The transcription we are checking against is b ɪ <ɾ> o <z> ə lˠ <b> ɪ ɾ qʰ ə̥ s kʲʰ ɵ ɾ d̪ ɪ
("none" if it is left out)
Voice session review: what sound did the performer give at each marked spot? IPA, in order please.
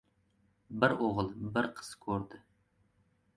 ɾ, ʁ, b

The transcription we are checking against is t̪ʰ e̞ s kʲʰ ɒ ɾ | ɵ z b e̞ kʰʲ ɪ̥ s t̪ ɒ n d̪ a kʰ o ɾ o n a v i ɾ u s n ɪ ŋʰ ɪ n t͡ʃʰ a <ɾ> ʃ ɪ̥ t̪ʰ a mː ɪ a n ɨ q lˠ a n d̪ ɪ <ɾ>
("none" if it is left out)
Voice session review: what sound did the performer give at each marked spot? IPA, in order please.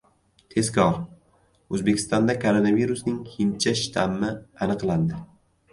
none, none

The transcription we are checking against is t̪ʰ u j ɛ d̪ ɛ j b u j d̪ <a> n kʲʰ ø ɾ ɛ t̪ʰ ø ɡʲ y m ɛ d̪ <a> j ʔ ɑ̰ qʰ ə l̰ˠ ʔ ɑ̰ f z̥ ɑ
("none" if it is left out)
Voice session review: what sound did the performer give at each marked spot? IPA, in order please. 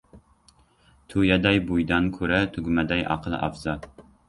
ɑ, ɛ

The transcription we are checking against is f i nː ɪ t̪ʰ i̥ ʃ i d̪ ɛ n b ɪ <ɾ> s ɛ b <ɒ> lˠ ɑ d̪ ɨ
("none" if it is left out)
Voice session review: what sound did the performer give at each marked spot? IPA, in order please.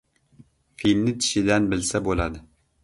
l, o

